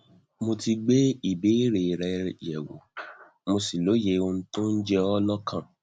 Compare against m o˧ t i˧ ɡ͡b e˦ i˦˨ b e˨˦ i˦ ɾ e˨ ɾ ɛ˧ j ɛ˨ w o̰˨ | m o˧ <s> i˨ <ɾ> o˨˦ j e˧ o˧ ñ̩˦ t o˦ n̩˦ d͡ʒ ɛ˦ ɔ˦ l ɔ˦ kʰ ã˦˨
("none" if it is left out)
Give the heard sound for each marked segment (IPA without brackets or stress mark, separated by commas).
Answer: s, l